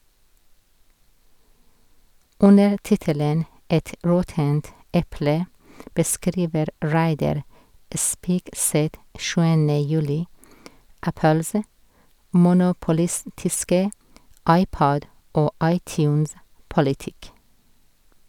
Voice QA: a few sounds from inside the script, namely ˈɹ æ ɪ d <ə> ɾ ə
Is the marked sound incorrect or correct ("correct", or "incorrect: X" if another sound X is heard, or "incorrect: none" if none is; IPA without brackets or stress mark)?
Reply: incorrect: ɑ